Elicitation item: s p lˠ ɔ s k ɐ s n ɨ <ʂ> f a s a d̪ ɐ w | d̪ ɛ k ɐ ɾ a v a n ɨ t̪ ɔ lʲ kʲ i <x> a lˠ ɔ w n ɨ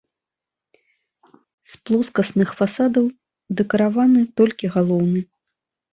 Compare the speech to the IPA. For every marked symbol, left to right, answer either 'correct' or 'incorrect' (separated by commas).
incorrect, incorrect